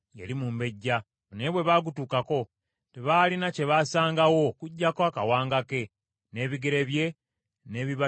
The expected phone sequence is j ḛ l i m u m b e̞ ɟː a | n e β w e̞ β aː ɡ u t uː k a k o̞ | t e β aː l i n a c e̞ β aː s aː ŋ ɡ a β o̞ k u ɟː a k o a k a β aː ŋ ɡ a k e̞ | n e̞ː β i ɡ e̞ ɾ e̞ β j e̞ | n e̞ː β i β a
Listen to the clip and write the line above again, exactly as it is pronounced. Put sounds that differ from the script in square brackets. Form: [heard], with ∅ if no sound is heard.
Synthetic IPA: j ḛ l i m u m b e̞ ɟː a | n e β w e̞ β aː ɡ u t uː k a k o̞ | t e β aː l i n a c e̞ β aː s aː ŋ ɡ a [w] o̞ k u ɟː a k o a k a [w] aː ŋ ɡ a k e̞ | n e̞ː β i ɡ e̞ ɾ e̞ β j e̞ | n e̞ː β i β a